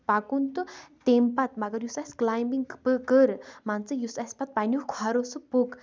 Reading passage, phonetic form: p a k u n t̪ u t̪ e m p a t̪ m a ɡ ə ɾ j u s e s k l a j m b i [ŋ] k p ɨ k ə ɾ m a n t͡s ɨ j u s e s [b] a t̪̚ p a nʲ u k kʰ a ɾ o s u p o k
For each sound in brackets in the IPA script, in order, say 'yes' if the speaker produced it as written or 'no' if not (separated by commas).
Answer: yes, no